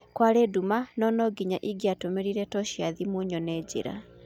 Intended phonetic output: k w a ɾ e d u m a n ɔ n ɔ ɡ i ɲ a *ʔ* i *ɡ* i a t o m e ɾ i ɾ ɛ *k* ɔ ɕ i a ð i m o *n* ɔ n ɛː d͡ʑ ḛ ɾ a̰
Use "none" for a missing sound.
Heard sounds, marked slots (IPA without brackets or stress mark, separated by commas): ʔ, ɡ, t, ɲ